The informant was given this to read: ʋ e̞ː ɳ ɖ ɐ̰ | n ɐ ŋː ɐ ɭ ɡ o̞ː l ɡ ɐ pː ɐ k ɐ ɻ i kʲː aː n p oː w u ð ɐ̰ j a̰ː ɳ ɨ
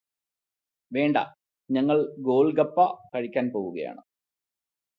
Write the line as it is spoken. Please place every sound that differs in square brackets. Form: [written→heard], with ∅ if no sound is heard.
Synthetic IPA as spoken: ʋ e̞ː ɳ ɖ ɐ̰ | [n→ɲ] ɐ ŋː ɐ ɭ ɡ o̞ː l ɡ ɐ pː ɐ k ɐ ɻ i kʲː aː n p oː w u [ð→ɣ] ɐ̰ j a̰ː ɳ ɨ